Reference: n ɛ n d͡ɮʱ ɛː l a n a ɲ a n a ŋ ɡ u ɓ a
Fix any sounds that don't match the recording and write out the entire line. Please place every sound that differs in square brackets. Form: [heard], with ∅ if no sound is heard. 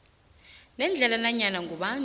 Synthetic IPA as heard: n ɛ n d͡ɮʱ [ɛ] l a n a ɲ a n a ŋ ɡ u ɓ a